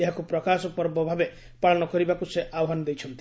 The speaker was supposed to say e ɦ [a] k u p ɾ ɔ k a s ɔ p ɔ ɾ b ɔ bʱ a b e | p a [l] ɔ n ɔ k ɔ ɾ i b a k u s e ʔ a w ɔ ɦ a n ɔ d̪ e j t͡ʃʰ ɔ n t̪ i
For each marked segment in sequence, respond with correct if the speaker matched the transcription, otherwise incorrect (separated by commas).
correct, incorrect